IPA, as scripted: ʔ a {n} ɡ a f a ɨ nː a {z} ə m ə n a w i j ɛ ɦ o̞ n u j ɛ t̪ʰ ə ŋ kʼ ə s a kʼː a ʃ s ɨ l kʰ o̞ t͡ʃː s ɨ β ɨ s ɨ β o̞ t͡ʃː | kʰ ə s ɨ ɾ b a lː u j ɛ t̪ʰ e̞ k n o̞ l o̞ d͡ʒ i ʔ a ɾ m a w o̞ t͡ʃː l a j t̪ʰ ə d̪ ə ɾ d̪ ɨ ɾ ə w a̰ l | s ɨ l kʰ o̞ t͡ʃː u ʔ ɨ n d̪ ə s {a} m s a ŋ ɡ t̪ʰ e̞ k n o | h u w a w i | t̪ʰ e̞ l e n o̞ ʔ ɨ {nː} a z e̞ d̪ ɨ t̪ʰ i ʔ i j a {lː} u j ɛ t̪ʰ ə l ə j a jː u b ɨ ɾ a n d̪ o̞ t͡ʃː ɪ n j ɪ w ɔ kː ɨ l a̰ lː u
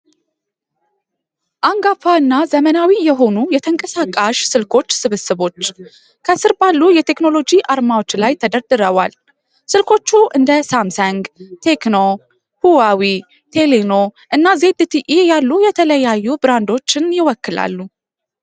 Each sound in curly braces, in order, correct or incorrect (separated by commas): incorrect, correct, correct, correct, correct